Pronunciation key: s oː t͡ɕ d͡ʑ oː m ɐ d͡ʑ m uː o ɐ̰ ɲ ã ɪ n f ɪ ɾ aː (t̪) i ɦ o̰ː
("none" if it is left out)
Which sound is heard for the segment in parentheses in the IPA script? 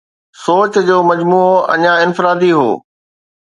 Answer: d̪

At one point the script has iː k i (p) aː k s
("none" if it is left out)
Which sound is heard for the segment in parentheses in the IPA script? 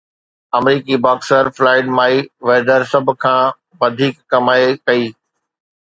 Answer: b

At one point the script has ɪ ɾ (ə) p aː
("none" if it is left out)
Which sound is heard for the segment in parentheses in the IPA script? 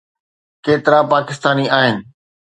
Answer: a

